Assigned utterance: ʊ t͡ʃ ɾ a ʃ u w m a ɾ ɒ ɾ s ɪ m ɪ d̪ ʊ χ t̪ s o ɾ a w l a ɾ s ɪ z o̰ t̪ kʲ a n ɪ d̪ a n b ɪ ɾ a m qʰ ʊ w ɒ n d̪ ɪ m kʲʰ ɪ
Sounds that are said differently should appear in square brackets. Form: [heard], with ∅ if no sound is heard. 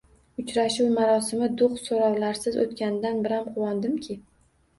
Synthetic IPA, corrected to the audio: ʊ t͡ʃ ɾ a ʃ u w m a ɾ ɒ [∅] s ɪ m ɪ d̪ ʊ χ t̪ s o ɾ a w l a ɾ s ɪ z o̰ t̪ kʲ a n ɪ d̪ a n b ɪ ɾ a m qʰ ʊ w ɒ n d̪ ɪ m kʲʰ ɪ